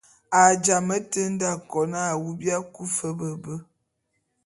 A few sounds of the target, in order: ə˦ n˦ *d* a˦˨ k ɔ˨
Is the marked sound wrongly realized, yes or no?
no